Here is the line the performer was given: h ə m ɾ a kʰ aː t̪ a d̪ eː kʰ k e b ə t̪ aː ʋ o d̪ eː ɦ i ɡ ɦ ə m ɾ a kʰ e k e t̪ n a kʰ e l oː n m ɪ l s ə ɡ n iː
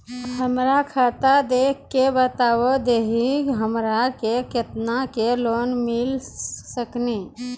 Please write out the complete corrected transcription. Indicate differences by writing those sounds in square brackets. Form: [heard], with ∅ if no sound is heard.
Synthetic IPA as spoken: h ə m ɾ a kʰ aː t̪ a d̪ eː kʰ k e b ə t̪ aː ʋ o d̪ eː ɦ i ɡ ɦ ə m ɾ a [k] e k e t̪ n a [k] e l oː n m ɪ l s ə [k] n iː